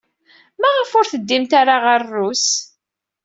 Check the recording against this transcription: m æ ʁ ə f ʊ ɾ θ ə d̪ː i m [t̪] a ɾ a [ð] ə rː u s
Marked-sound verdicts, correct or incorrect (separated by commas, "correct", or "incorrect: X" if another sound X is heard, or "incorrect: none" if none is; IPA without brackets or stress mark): correct, incorrect: ʁ